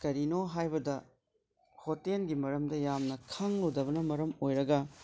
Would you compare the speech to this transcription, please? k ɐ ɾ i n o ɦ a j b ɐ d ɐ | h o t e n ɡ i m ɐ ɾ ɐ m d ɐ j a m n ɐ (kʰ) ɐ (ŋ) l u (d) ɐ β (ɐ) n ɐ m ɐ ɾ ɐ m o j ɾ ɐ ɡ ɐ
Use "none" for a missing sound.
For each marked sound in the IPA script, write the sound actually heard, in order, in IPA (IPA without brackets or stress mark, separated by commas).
kʰ, ŋ, d, ɐ